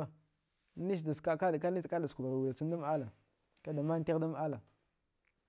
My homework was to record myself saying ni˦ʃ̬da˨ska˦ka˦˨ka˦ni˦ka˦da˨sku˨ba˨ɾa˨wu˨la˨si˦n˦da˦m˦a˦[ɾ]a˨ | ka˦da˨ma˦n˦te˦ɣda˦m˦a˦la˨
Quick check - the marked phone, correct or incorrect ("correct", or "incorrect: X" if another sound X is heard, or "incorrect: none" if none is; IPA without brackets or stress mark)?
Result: incorrect: l